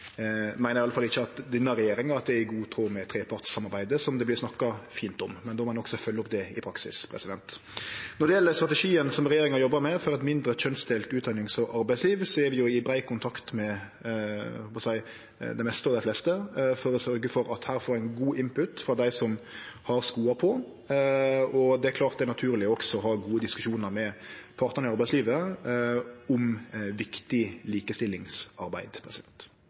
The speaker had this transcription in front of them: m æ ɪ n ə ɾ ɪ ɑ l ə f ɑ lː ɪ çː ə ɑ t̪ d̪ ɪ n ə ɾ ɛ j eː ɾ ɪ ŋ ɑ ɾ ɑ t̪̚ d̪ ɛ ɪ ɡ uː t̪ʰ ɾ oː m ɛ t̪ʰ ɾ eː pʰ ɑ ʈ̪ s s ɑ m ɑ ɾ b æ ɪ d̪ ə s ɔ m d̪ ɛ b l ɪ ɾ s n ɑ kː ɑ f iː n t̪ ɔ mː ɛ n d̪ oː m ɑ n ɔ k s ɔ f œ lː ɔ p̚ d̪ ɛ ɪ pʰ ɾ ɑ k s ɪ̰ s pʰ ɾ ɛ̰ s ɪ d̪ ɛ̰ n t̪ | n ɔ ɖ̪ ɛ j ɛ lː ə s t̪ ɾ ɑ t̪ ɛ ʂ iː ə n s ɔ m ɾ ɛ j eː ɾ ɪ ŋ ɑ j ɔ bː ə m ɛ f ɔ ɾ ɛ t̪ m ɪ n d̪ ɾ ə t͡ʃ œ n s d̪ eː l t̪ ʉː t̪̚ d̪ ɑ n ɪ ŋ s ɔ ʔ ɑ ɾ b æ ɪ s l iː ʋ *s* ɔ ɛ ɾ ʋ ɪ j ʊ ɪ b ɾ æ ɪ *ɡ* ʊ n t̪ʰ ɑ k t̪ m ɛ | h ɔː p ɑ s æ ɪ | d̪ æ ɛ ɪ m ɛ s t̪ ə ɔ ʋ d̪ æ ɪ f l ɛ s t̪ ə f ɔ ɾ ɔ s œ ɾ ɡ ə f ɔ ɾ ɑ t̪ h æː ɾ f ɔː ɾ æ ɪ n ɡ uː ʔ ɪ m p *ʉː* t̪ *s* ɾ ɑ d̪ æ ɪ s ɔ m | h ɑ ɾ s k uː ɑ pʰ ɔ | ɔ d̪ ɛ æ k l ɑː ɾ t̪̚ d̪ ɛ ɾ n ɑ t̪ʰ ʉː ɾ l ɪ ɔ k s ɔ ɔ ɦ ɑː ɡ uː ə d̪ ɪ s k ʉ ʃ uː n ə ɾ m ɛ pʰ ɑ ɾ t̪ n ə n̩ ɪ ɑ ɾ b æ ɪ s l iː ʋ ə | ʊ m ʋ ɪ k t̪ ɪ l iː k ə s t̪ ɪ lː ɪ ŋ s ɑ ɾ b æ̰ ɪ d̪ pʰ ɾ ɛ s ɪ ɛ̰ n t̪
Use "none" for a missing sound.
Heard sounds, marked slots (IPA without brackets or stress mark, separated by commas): s, k, ʉ, f